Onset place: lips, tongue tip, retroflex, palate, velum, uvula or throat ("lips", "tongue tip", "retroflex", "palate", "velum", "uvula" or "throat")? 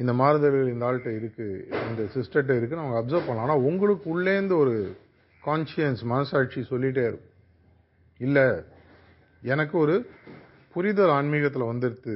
tongue tip